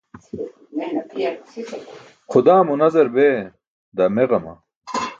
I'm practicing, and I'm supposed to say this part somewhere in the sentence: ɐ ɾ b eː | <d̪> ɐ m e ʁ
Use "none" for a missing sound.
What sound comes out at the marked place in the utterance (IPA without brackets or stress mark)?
d̪